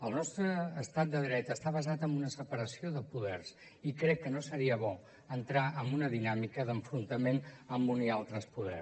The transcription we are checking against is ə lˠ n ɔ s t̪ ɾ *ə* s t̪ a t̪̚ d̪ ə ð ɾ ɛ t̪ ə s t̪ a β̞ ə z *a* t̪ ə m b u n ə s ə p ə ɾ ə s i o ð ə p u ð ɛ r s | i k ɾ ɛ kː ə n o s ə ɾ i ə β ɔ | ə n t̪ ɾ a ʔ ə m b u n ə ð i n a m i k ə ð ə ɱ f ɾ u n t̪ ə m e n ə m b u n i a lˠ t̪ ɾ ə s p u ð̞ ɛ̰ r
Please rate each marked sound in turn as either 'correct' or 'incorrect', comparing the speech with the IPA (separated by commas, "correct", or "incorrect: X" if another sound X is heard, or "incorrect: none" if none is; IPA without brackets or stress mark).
incorrect: əː, correct